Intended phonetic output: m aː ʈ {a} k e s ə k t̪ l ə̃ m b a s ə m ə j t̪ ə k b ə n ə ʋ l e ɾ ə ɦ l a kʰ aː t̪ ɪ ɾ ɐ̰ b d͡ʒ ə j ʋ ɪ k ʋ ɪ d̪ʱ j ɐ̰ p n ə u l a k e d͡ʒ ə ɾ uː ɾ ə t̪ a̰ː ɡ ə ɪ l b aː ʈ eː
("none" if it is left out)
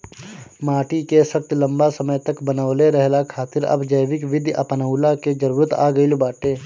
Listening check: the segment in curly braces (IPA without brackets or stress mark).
i